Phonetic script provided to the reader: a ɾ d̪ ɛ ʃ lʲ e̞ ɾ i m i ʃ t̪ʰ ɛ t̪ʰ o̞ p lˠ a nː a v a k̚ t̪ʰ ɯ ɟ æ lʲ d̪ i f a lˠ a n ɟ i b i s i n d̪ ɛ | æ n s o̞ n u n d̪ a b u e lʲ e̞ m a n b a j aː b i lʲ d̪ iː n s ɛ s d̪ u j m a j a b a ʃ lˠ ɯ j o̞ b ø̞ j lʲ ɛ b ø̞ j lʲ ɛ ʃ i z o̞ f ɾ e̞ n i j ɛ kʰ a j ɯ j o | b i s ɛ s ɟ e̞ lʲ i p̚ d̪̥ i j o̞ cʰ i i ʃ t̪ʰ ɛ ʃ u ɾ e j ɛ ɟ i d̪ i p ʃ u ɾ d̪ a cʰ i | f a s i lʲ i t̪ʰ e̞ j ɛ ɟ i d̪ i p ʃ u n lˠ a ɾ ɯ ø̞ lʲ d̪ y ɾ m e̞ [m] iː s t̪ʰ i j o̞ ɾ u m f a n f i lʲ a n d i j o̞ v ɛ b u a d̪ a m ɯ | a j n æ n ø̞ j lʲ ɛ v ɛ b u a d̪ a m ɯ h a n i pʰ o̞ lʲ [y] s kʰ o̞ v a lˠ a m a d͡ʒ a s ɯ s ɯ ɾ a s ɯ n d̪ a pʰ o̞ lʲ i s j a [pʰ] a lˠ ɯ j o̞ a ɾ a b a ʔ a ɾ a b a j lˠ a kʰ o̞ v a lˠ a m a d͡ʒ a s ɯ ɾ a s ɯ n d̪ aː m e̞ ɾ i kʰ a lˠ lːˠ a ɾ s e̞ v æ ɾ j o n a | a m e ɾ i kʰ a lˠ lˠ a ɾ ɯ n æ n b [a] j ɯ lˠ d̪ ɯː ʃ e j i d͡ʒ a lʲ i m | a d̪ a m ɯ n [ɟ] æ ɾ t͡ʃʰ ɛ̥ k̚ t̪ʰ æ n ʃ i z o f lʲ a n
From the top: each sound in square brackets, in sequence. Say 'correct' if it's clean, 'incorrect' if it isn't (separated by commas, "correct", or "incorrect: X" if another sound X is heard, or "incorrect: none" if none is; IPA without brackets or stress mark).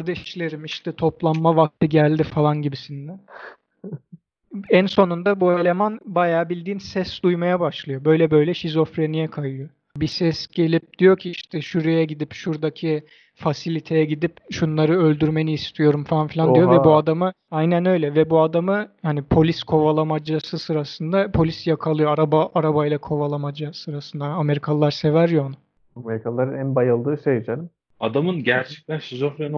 incorrect: n, incorrect: i, incorrect: kʰ, correct, correct